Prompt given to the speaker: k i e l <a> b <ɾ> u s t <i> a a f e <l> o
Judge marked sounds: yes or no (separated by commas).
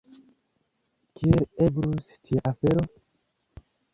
no, yes, yes, no